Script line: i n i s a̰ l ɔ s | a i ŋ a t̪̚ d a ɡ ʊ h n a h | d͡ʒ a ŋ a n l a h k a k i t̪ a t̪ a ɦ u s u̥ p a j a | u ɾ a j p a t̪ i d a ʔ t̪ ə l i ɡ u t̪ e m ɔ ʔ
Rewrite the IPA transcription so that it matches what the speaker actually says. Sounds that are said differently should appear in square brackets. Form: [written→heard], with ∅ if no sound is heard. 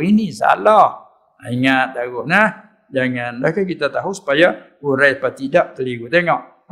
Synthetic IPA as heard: i n i s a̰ l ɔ [s→h] | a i ŋ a t̪̚ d a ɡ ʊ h n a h | d͡ʒ a ŋ a n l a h k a k i t̪ a t̪ a ɦ u s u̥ p a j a | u ɾ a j p a t̪ i d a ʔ t̪ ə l i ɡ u t̪ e [m→ŋ] ɔ ʔ